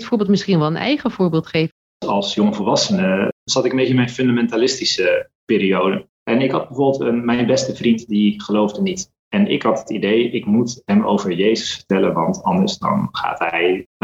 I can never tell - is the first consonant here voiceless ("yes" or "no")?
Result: yes